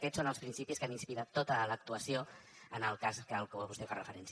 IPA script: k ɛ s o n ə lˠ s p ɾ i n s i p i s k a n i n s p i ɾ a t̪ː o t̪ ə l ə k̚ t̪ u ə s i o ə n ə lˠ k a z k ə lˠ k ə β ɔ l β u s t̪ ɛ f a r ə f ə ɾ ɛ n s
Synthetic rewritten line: k ɛ s o n ə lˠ s p ɾ i n s i p i s k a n i n s p i ɾ a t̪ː o t̪ ə l ə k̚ t̪ u ə s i o ə n ə lˠ k a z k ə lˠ k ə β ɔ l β u s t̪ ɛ f a r ə f ə ɾ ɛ n s